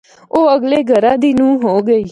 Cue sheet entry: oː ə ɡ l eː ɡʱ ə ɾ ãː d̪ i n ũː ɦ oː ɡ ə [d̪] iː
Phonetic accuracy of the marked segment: incorrect: none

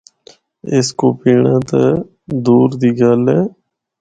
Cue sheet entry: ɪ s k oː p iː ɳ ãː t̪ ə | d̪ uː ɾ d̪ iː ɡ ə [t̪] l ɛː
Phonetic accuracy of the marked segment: incorrect: none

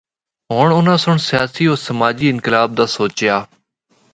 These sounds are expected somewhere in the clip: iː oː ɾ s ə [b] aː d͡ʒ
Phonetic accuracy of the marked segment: incorrect: m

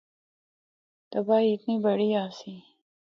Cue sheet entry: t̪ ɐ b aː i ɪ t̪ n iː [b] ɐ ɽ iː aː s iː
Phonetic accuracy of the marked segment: correct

